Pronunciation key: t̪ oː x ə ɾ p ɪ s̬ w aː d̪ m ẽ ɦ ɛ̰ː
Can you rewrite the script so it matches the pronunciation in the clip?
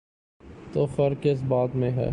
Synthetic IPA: t̪ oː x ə ɾ k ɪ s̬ b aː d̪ m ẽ ɦ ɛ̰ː